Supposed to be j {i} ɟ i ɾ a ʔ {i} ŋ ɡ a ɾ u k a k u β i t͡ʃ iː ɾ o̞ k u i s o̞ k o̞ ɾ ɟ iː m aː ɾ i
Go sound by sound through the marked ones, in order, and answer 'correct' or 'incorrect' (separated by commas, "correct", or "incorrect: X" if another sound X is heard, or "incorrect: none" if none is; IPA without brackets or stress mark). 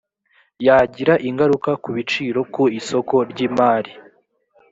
incorrect: a, correct